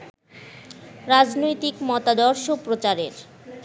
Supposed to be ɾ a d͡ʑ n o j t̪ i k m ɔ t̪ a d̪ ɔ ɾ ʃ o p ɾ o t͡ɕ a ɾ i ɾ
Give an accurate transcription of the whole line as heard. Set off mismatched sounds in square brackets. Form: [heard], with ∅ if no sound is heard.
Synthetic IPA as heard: ɾ a d͡ʑ n o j t̪ i k m ɔ t̪ a d̪ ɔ ɾ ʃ o p ɾ o t͡ɕ a ɾ [e] ɾ